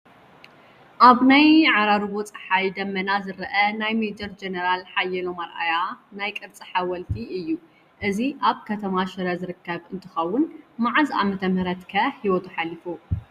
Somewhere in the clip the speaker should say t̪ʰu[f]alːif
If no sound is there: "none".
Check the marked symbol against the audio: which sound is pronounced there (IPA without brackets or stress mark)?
ħ